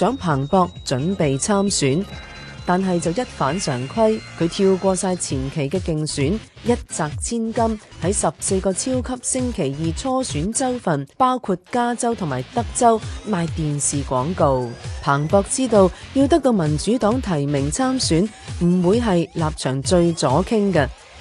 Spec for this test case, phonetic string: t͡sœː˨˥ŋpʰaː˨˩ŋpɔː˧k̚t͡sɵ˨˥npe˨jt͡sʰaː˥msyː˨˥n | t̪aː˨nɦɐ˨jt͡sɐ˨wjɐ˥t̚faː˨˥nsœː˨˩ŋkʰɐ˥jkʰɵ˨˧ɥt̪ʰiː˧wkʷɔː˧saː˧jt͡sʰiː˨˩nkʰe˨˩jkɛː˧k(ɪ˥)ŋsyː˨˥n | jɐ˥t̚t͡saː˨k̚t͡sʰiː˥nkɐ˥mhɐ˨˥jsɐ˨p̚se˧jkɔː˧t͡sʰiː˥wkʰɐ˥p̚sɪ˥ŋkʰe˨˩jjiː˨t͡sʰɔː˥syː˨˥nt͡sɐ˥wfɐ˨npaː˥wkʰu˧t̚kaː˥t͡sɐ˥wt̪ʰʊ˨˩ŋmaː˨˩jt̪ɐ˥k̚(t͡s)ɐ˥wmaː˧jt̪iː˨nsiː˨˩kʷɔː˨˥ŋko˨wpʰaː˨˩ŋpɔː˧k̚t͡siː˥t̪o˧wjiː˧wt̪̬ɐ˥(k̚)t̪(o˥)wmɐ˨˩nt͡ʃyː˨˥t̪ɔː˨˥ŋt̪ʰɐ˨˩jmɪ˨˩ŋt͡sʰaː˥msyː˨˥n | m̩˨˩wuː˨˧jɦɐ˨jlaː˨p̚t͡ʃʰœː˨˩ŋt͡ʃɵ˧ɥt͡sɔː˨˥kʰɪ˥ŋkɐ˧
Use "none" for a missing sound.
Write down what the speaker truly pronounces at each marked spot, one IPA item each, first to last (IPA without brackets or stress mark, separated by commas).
ɪ˨, t͡s, k̚, o˧